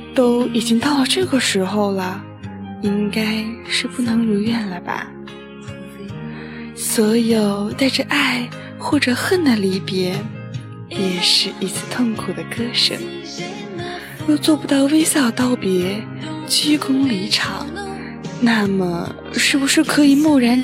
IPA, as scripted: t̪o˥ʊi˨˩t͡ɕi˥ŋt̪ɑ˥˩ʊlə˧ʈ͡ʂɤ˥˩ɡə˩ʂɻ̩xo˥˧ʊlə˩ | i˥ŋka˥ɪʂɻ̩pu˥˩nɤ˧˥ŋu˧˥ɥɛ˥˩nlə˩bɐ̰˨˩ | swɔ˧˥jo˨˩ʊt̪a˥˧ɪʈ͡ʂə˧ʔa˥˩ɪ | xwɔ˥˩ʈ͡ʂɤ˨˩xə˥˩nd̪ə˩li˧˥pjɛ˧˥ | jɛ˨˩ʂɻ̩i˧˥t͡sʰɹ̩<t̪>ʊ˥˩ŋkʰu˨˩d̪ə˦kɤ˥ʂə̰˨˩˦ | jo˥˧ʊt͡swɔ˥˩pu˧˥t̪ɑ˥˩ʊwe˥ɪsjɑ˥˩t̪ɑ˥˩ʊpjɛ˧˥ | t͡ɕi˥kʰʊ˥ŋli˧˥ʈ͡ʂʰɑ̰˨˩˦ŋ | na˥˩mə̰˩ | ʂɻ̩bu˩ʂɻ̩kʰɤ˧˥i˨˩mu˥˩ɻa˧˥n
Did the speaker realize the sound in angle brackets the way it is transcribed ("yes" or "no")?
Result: no